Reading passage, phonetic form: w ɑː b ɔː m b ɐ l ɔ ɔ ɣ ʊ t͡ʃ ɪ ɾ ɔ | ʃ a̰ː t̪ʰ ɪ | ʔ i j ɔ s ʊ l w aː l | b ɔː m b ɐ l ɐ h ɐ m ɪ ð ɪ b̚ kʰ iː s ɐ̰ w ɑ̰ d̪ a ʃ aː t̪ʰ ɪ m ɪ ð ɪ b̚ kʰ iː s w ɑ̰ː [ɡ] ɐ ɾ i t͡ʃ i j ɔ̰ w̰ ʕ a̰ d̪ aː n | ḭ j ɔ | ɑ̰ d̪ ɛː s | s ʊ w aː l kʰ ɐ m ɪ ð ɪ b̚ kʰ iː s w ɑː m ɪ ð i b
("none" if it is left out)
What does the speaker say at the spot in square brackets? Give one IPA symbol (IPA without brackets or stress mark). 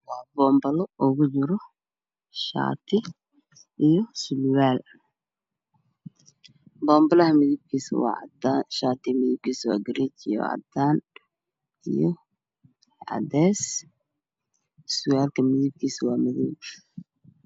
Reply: ɡ